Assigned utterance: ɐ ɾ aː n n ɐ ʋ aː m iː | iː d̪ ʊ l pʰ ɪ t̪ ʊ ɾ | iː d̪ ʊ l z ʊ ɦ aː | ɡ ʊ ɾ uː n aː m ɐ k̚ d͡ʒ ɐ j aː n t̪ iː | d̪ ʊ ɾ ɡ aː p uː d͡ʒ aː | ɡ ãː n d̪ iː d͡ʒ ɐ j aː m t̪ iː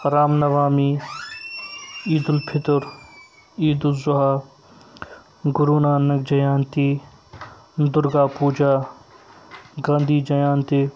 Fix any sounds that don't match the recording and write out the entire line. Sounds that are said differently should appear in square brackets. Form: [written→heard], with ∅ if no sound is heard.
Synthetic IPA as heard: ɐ ɾ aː [n→m] n ɐ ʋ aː m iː | iː d̪ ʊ l pʰ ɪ t̪ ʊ ɾ | iː d̪ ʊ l z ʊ ɦ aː | ɡ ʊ ɾ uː n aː [m→n] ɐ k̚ d͡ʒ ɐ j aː n t̪ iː | d̪ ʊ ɾ ɡ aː p uː d͡ʒ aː | ɡ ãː n d̪ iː d͡ʒ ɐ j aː [m→n] t̪ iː

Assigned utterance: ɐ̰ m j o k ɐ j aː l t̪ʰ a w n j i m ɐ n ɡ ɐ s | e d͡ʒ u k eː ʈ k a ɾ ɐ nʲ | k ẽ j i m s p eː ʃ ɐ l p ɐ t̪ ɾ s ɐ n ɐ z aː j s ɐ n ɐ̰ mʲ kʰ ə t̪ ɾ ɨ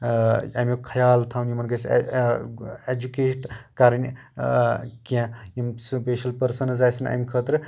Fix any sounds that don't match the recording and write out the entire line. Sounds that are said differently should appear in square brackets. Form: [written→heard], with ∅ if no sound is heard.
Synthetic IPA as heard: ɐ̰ m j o [k→kʰ] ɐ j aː l t̪ʰ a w n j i m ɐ n ɡ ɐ s | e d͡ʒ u k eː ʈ k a ɾ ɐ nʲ | k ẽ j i m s p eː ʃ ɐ l p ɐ [t̪→∅] ɾ s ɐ n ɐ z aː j s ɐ n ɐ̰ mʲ kʰ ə t̪ ɾ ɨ

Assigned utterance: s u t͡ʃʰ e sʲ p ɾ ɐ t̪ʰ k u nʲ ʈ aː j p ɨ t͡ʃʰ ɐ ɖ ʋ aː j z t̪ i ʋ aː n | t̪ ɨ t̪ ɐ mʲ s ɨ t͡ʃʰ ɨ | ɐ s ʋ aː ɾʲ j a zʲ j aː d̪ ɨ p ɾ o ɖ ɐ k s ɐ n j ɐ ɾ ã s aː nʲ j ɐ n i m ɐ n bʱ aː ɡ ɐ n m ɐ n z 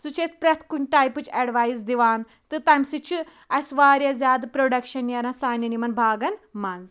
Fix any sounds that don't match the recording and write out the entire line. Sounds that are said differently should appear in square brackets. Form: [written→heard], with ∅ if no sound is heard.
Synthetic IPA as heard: s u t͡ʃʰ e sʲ p ɾ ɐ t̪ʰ k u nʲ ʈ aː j p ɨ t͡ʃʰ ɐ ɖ ʋ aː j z [t̪→d̪] i ʋ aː n | t̪ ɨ t̪ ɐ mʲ s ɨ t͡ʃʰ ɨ | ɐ s ʋ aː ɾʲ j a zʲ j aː d̪ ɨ p ɾ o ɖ ɐ k [s→ʃ] ɐ n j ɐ ɾ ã s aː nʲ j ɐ n i m ɐ n bʱ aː ɡ ɐ n m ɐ n z

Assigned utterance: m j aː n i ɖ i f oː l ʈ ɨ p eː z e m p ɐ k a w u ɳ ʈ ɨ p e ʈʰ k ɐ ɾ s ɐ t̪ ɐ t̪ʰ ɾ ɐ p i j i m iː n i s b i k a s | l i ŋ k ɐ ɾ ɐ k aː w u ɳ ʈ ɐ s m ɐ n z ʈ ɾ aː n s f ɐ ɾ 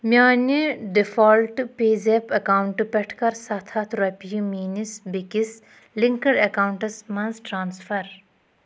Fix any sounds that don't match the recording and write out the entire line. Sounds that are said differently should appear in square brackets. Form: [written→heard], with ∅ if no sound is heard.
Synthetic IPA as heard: m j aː n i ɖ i f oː l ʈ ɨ p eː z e [m→∅] p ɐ k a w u ɳ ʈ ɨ p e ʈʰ k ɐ ɾ s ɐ [t̪→t̪ʰ] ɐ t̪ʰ ɾ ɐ p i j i m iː n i s b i k [a→i] s | l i ŋ k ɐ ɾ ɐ k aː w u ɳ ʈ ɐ s m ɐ n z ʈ ɾ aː n s f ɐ ɾ

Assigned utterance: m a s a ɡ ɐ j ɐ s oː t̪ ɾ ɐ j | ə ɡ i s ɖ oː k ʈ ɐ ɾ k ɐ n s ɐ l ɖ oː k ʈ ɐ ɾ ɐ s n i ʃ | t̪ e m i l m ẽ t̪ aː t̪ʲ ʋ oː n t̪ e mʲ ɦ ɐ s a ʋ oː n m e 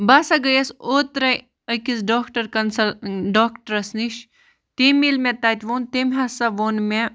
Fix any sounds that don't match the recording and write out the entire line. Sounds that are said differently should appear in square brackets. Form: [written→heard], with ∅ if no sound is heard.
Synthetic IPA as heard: [m→b] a s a ɡ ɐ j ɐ s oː t̪ ɾ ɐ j | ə [ɡ→k] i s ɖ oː k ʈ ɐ ɾ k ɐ n s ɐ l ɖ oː k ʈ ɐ ɾ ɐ s n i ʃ | t̪ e m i l m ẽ t̪ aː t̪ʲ ʋ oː n t̪ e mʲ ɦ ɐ s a ʋ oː n m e

